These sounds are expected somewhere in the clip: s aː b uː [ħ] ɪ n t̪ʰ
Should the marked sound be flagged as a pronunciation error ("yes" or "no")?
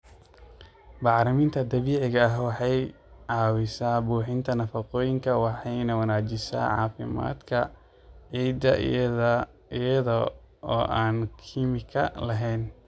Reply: no